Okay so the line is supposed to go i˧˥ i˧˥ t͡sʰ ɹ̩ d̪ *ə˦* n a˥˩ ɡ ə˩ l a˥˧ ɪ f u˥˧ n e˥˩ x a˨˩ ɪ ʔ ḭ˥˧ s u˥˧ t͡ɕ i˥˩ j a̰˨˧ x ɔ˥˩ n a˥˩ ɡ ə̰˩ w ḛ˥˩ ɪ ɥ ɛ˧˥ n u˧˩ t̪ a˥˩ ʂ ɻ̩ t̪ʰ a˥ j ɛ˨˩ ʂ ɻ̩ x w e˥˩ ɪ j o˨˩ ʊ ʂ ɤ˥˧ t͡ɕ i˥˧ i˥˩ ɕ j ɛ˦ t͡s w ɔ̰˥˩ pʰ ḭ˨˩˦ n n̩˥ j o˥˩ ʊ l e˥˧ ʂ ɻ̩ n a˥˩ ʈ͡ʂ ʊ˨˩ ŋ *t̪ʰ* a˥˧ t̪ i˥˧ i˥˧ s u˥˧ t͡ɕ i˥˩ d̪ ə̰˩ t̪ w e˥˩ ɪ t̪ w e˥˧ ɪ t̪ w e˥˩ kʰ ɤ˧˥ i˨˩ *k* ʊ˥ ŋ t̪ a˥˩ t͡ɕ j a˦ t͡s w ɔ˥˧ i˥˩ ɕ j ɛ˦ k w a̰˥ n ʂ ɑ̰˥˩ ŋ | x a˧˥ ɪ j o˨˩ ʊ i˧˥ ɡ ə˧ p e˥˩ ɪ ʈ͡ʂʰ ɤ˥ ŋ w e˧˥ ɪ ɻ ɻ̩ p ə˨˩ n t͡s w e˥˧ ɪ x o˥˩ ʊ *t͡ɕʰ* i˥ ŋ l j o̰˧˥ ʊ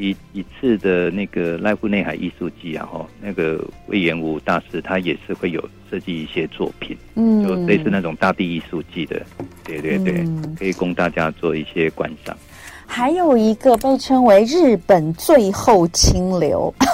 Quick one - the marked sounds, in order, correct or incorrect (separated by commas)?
incorrect, incorrect, correct, correct